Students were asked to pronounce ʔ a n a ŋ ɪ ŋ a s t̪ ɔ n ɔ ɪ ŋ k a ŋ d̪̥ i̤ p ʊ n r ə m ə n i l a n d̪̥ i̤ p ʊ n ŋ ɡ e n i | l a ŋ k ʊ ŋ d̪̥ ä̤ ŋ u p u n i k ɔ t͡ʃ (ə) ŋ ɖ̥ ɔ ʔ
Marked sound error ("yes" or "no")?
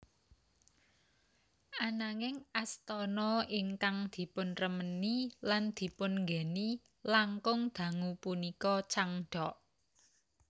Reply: yes